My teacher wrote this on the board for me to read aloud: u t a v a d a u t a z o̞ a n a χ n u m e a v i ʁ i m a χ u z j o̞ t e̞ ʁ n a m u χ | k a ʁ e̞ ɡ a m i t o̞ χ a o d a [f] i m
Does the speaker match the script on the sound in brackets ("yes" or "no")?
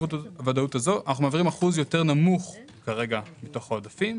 yes